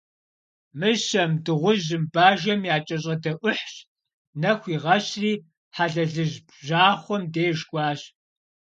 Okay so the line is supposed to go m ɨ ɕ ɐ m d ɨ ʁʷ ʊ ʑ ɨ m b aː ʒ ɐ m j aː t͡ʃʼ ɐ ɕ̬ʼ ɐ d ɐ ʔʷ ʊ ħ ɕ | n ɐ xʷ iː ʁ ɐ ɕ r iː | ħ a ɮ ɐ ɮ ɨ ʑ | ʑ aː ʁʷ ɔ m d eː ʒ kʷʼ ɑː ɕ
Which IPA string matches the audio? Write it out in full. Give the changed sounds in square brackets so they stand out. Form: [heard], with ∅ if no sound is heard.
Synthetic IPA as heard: m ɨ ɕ ɐ m d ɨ ʁʷ ʊ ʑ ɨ m b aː ʒ ɐ m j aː t͡ʃʼ ɐ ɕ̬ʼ ɐ d ɐ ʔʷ ʊ ħ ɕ | n ɐ xʷ iː ʁ ɐ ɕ r iː | ħ a ɮ ɐ ɮ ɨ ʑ | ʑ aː [χʷ] ɔ m d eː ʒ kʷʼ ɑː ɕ